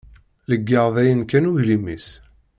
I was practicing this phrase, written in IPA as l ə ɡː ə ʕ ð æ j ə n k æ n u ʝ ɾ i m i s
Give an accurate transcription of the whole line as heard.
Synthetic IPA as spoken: l ə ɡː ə ʁ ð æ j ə n k æ n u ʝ l i m i s